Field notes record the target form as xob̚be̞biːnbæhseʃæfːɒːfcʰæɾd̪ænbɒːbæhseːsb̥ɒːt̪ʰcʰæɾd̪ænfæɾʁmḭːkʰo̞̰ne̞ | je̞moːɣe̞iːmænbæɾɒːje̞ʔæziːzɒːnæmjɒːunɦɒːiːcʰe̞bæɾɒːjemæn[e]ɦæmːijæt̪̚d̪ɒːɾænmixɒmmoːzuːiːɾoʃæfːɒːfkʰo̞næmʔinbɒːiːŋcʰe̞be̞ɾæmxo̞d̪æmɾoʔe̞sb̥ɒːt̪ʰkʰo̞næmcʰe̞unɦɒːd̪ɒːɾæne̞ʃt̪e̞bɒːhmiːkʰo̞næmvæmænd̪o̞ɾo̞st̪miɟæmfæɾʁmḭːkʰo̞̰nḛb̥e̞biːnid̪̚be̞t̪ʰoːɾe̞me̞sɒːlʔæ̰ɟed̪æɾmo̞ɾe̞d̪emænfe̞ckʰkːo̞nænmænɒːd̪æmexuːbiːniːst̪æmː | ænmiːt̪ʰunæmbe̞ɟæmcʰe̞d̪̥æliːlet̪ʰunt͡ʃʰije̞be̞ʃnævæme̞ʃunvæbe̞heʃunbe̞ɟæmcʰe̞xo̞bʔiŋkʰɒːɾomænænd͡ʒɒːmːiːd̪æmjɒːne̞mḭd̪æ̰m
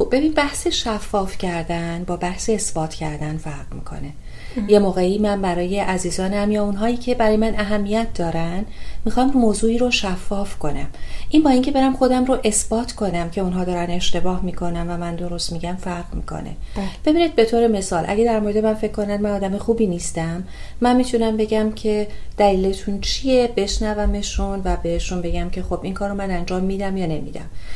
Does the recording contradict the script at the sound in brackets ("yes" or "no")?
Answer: yes